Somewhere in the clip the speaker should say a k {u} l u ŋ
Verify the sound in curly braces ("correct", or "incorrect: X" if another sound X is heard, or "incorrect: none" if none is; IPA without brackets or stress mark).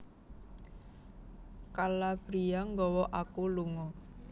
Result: correct